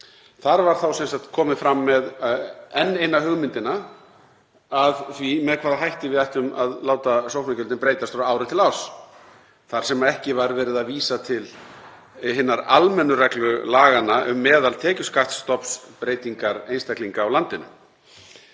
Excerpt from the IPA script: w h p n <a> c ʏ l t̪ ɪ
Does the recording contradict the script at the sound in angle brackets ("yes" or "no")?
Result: no